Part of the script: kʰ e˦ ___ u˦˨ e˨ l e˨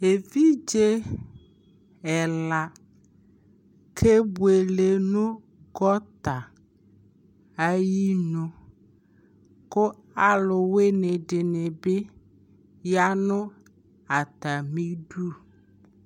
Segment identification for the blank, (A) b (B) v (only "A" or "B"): A